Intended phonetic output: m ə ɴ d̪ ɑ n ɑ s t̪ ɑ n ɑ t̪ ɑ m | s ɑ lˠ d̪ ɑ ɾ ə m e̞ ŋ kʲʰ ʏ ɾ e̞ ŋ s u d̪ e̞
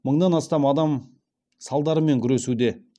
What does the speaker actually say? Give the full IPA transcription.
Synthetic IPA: m ə ɴ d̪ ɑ n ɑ s t̪ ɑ m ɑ d̪ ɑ m | s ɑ lˠ d̪ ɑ ɾ ə m e̞ ŋ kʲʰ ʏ ɾ e̞ s u d̪ e̞